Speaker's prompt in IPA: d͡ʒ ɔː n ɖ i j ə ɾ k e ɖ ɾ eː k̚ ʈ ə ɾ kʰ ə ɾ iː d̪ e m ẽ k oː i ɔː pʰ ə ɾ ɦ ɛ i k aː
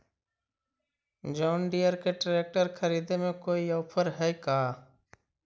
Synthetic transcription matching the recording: d͡ʒ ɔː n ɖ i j ə ɾ k e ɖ ɾ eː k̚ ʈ ə ɾ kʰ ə ɾ iː d̪ e m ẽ k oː i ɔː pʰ ə ɾ ɦ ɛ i k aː